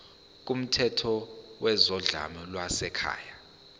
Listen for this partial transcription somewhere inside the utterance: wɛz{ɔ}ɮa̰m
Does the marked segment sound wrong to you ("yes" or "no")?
no